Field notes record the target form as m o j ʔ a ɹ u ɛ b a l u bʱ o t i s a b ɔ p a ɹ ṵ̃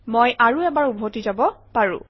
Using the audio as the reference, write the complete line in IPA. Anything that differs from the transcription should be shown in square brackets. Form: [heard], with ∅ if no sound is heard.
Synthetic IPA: m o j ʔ a ɹ u ɛ b a [ɹ] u bʱ o t i [z] a b ɔ p a ɹ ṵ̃